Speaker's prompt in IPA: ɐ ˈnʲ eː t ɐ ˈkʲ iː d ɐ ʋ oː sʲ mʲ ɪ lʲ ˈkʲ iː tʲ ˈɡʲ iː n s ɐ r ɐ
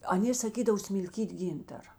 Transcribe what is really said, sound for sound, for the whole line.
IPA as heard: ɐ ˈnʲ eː s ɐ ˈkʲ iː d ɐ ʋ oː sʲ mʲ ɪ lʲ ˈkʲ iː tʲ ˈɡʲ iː n t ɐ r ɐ